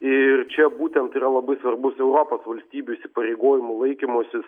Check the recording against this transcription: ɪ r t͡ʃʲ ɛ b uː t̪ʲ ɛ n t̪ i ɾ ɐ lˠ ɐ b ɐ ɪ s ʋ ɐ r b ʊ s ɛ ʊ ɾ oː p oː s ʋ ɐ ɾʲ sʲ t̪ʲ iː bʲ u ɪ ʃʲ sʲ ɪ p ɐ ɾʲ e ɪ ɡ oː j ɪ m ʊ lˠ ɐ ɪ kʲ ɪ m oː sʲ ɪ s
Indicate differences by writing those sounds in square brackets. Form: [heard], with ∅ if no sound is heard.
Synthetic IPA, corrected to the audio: ɪ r t͡ʃʲ ɛ b uː t̪ʲ ɛ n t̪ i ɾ ɐ lˠ ɐ b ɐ ɪ s ʋ ɐ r b ʊ s ɛ ʊ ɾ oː p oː s ʋ ɐ [lʲ] sʲ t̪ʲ iː bʲ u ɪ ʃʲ sʲ ɪ p ɐ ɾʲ e ɪ ɡ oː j ɪ m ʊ lˠ ɐ ɪ kʲ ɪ m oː sʲ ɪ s